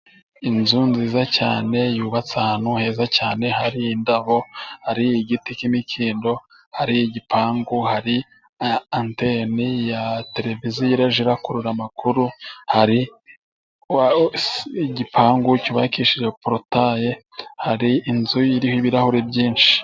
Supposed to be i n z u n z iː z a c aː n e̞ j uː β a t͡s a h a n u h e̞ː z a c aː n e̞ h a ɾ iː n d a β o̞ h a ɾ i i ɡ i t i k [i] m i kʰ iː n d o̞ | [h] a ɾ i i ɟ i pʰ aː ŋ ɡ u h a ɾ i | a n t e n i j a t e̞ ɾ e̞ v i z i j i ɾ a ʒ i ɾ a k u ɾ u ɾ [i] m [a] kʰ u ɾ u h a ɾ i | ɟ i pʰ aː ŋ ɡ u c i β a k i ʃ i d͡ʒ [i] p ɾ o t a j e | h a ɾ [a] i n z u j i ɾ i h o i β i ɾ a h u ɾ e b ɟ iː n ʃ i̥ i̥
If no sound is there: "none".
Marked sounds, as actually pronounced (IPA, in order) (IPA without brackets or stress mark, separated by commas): i, h, a, a, e, i